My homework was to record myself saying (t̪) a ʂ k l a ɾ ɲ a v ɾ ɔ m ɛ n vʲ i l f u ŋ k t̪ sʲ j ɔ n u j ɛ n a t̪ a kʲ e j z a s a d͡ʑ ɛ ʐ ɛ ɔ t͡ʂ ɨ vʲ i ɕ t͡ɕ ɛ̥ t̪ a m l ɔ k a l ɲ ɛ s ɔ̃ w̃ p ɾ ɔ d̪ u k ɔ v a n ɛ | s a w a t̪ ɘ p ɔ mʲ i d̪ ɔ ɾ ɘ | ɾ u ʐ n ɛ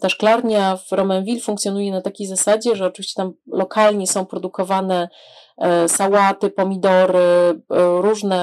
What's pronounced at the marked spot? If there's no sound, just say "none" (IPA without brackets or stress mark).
t̪